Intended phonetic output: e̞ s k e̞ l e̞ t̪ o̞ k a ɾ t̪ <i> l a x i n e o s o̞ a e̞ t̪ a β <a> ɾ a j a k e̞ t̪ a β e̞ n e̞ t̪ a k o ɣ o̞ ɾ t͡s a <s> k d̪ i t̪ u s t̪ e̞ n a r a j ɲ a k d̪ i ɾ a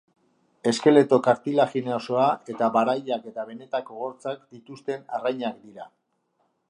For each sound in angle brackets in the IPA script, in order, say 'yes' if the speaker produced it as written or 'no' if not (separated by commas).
yes, yes, no